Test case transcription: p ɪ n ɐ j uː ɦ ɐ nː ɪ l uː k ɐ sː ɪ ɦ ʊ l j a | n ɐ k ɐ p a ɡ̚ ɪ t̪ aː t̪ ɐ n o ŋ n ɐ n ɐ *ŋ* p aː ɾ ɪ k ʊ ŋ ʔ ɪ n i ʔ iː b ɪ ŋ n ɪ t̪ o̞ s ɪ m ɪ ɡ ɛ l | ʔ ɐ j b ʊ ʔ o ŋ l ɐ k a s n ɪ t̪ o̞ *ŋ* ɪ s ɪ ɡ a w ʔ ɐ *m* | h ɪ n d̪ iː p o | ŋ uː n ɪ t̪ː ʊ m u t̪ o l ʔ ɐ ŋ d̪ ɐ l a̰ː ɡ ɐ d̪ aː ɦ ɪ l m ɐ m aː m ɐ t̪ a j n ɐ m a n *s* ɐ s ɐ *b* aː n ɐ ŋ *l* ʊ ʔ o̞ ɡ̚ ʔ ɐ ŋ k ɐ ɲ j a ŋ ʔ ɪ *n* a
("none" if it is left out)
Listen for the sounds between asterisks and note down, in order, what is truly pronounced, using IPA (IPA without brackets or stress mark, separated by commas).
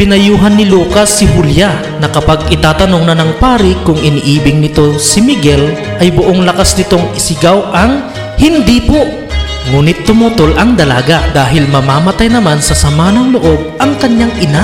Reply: ŋ, ŋ, ŋ, s, m, l, n